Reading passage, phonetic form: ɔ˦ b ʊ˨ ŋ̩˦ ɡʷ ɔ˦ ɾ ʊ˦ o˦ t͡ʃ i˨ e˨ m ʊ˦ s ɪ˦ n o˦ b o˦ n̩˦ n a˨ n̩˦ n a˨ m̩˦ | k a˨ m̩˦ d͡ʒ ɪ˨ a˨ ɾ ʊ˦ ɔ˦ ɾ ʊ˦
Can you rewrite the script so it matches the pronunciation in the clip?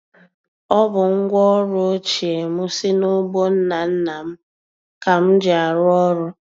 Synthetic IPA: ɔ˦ b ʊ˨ ŋ̩˦ ɡʷ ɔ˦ ɾ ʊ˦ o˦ t͡ʃ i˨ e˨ m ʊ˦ s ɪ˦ n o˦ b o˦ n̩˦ n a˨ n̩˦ n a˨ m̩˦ | k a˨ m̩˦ d͡ʒ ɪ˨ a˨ ɾ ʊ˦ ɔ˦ ɾ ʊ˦